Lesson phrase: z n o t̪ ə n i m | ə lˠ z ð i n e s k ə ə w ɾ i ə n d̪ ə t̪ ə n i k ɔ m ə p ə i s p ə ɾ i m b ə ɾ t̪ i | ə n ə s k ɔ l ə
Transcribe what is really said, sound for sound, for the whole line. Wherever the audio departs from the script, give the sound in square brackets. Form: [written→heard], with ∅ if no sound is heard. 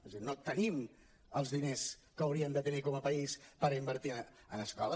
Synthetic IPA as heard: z n o t̪ ə n i m | ə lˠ z ð i n e s k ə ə w ɾ i ə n d̪ ə t̪ ə n i k ɔ m ə p ə i s p ə ɾ i m b ə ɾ t̪ i | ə n ə s k ɔ l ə